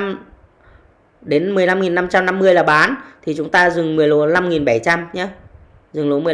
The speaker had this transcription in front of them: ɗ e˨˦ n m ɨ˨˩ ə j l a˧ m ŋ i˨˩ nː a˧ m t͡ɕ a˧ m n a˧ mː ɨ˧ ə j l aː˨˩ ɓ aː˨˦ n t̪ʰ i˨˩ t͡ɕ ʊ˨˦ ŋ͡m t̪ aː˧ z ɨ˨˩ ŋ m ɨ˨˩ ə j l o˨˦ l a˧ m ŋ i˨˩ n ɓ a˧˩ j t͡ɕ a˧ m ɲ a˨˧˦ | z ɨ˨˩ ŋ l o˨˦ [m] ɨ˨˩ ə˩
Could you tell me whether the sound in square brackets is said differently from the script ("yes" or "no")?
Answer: no